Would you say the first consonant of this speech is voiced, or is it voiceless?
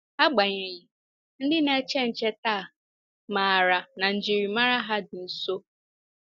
voiced